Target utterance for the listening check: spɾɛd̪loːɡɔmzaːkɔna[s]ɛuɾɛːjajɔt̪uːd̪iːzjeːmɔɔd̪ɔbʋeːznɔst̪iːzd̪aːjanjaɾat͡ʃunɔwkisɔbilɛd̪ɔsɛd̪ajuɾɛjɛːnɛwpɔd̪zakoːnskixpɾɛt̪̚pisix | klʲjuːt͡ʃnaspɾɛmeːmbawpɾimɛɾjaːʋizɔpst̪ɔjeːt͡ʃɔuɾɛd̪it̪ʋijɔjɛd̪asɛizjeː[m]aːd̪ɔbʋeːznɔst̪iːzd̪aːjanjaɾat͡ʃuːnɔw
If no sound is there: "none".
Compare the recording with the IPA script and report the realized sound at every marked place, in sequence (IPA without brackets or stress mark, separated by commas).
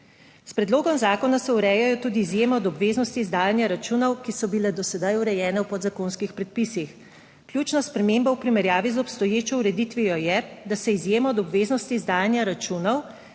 s, m